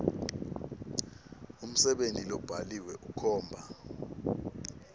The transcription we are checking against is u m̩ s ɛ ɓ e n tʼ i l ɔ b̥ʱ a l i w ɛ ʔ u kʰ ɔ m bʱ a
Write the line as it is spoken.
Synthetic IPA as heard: u m̩ s ɛ ɓ e n tʼ i l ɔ b̥ʱ a l i w ɛ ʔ u kʰ ɔː m bʱ a